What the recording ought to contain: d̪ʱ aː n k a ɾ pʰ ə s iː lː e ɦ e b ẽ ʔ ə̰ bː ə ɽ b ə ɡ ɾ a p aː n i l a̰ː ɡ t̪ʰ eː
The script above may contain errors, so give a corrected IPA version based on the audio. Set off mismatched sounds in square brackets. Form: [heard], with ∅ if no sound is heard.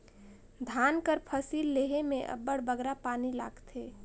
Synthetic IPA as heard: d̪ʱ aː n k [ə] ɾ pʰ ə s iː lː e ɦ e [m] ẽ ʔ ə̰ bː ə ɽ b ə ɡ ɾ a p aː n i l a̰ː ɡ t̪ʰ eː

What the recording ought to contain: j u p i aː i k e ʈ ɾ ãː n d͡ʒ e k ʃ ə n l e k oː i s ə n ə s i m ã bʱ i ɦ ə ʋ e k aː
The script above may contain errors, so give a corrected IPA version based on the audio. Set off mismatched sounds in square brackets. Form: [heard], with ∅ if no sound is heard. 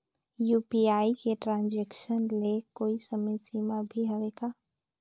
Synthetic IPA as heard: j u p i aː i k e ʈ ɾ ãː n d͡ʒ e k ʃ ə n l e k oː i s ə [m] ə s i m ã bʱ i ɦ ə ʋ e k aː

